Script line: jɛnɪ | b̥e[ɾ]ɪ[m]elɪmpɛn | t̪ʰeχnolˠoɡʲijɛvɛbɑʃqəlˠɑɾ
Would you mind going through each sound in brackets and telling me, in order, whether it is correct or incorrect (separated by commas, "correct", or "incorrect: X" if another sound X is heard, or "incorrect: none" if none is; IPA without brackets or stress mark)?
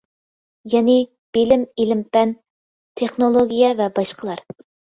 incorrect: l, correct